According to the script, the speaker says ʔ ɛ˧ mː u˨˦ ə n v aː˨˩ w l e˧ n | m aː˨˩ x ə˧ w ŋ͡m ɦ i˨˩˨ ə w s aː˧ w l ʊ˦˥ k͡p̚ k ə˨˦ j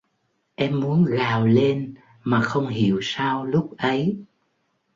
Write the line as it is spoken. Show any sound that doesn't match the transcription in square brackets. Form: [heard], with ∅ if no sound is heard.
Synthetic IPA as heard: ʔ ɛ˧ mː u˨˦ ə n [ɣ] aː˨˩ w l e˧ n | m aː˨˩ x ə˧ w ŋ͡m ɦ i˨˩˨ ə w s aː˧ w l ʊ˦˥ k͡p̚ [ʔ] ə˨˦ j